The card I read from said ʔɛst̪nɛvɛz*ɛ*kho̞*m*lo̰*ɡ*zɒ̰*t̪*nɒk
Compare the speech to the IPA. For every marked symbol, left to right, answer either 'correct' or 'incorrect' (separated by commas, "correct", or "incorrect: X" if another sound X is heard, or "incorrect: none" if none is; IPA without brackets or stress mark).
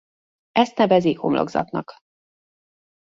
incorrect: i, correct, correct, correct